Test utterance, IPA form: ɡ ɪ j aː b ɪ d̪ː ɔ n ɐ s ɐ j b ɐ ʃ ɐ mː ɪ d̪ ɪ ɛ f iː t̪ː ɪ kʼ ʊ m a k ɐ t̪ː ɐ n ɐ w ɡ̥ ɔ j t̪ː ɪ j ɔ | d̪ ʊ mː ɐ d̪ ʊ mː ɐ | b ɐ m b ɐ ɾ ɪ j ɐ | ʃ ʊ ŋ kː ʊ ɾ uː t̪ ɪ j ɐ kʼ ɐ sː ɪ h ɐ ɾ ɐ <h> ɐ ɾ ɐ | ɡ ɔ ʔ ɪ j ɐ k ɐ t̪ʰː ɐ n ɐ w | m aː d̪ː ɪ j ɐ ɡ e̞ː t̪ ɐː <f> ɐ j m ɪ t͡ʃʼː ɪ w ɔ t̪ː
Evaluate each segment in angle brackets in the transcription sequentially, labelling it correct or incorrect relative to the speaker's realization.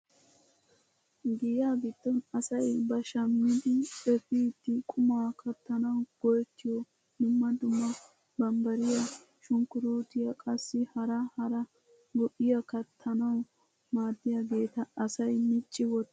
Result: correct, incorrect: s

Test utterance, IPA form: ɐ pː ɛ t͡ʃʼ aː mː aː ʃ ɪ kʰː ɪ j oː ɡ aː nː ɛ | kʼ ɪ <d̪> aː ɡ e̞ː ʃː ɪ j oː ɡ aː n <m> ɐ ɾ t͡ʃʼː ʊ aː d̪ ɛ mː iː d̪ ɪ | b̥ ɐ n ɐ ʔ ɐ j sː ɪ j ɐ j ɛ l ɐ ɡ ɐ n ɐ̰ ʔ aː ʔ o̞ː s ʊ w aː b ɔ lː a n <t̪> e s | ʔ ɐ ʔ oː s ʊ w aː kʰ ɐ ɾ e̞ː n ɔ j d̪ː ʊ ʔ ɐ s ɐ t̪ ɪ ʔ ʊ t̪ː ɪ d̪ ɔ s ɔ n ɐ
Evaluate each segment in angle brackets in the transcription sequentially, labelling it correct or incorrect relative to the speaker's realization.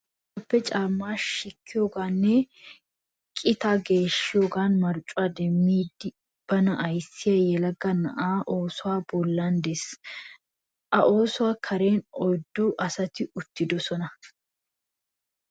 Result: incorrect: t̪, correct, incorrect: d̪

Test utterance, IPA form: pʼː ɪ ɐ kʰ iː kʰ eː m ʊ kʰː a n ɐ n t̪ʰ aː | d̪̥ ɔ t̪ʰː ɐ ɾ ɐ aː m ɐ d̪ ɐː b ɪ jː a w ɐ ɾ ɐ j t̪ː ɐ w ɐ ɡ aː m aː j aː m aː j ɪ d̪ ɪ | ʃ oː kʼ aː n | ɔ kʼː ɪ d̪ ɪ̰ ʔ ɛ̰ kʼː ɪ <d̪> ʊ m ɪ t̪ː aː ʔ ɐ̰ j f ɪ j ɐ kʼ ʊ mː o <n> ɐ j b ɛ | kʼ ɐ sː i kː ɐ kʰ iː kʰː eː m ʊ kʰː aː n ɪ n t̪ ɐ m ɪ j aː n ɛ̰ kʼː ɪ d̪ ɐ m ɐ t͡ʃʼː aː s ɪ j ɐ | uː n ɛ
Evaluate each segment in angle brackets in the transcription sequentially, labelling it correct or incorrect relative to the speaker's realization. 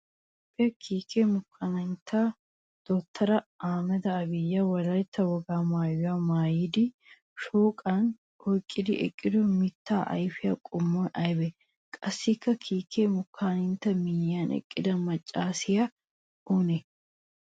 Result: correct, correct

